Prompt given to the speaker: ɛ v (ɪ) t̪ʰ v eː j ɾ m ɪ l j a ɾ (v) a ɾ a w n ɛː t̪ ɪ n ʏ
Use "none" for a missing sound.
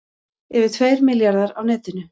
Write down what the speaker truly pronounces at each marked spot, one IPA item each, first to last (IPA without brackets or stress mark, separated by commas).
ɪ, ð